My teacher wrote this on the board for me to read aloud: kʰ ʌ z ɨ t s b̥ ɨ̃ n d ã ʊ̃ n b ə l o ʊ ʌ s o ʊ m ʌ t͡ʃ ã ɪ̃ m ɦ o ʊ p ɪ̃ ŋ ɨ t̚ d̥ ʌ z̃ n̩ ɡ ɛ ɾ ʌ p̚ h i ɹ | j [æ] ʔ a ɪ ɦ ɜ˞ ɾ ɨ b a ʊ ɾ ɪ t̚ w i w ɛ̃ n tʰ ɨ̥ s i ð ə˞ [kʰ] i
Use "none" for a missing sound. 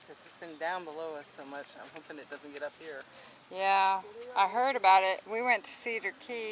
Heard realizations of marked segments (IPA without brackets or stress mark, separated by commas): æ, kʰ